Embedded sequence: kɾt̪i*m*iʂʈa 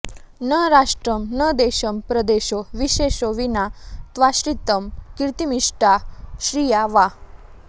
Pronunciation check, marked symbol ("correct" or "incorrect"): correct